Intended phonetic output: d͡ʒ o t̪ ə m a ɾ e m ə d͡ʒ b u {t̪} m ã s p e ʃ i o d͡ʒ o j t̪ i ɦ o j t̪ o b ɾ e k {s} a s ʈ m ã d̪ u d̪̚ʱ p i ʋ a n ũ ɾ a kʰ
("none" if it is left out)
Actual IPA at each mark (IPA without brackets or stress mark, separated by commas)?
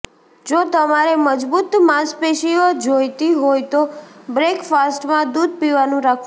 t̪, f